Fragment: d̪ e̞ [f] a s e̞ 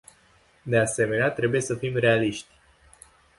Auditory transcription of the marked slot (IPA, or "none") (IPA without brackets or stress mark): none